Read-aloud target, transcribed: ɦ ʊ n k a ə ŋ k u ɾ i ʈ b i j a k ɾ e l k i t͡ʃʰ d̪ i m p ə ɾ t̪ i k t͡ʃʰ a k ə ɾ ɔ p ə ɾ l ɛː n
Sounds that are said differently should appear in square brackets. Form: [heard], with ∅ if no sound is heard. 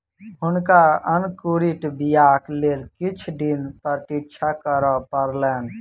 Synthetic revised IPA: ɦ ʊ n k a ə [n] k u ɾ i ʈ b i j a k [l] e l k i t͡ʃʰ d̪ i [n] p ə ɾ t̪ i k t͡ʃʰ a k ə ɾ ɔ p ə ɾ l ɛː n